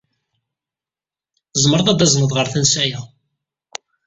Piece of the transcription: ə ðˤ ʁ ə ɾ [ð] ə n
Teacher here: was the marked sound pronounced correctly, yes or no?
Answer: no